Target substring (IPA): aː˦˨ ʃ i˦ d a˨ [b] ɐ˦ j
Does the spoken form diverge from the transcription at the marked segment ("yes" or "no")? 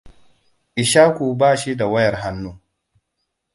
yes